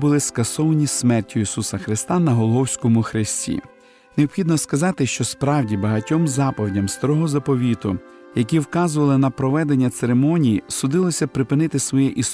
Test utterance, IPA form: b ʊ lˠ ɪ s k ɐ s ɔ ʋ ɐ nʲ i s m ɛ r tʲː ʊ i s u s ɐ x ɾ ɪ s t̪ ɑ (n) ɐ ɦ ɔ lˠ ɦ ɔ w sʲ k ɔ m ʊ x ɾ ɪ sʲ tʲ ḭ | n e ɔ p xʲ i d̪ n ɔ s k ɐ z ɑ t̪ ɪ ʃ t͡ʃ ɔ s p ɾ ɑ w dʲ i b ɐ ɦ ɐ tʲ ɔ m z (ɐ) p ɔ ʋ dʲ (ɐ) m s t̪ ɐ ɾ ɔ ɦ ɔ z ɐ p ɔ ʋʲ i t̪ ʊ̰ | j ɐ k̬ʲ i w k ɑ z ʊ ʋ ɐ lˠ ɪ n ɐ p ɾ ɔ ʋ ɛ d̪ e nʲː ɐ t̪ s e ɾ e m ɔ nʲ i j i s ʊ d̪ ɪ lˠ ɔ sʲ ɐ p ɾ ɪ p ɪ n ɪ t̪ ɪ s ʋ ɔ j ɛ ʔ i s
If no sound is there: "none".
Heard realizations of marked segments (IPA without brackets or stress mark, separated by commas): n, ɑ, ɐ